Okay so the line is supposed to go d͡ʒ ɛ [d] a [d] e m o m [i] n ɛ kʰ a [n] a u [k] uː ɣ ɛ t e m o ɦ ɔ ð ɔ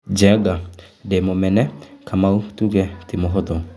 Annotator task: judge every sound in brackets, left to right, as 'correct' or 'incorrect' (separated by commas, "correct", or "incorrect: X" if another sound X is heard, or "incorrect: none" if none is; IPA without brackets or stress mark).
incorrect: ɡ, correct, incorrect: ɛ, incorrect: m, incorrect: t